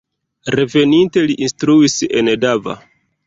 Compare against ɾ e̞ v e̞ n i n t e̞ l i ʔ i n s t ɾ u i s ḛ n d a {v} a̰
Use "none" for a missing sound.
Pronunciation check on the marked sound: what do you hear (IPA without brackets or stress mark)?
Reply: v